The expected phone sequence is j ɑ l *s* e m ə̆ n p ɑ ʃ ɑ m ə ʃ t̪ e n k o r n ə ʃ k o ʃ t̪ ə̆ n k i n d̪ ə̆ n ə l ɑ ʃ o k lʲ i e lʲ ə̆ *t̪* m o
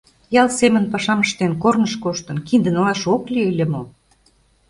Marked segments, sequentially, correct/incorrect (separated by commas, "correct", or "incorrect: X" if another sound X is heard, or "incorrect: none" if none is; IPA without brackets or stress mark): correct, incorrect: none